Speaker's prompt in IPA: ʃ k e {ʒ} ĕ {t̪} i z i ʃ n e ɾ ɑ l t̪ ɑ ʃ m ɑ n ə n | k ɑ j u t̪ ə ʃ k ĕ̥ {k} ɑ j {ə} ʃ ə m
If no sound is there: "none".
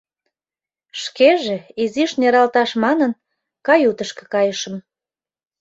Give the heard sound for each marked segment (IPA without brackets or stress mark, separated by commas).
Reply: ʒ, none, k, ə